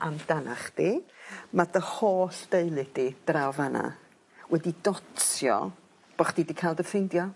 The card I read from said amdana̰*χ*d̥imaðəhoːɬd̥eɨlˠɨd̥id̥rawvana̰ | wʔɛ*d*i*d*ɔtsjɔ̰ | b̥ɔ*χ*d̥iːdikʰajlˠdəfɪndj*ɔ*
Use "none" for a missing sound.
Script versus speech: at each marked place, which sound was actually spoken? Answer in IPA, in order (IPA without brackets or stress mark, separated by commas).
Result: χ, d, d, χ, ɔ